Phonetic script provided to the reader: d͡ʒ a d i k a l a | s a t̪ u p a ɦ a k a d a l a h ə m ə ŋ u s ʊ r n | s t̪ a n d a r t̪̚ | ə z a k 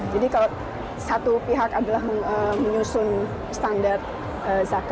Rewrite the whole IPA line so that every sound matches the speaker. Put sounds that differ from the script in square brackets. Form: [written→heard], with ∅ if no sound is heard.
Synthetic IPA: d͡ʒ a d i k a l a | s a t̪ u p [a→i] ɦ a k a d a l a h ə m ə [ŋ→ɲ] u s ʊ [r→∅] n | s t̪ a n d a r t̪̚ | ə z a k